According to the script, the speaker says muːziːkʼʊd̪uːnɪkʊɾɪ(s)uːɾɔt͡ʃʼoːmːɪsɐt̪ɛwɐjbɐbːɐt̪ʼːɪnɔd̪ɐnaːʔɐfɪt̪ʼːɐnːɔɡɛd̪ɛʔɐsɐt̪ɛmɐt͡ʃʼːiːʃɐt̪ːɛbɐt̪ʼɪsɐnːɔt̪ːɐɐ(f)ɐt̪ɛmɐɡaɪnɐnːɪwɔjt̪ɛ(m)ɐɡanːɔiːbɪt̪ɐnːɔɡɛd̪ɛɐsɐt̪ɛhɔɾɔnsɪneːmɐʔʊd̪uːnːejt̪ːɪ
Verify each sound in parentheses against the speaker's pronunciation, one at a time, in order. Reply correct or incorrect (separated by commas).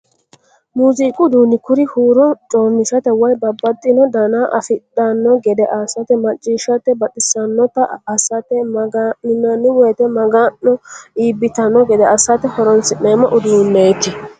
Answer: incorrect, incorrect, correct